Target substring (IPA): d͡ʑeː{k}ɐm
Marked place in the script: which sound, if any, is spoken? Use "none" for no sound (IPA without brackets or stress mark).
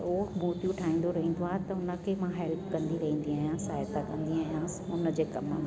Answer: k